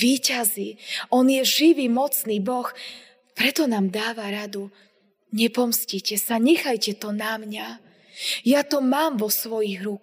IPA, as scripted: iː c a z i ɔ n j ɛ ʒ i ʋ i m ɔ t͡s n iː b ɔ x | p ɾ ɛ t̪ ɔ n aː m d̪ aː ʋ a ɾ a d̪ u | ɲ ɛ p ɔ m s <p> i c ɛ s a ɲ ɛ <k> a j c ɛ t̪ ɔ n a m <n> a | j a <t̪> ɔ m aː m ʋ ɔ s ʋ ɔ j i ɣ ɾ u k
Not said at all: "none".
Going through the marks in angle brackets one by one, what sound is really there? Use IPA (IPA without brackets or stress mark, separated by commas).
c, x, ɲ, t̪